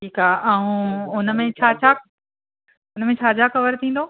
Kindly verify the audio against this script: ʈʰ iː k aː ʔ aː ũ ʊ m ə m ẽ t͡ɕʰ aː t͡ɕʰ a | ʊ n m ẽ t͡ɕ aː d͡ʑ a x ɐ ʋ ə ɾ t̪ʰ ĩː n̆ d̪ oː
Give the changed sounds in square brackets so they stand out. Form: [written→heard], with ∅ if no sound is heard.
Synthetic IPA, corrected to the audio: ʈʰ iː k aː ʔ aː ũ ʊ [m→n] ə m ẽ t͡ɕʰ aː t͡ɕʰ a | ʊ n m ẽ [t͡ɕ→t͡ɕʰ] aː d͡ʑ a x ɐ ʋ ə ɾ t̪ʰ ĩː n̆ d̪ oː